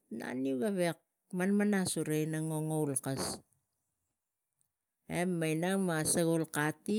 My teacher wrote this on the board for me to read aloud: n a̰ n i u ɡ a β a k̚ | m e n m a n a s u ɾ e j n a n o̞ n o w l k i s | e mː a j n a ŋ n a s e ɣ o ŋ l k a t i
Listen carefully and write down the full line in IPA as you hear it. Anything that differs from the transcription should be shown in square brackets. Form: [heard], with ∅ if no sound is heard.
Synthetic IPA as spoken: n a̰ n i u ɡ a β [e] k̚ | m [a] n m a n a s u ɾ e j n a [ŋ] o̞ [ŋ] o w l k [a] s | e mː a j n a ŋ [m] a s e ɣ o [∅] l k a t i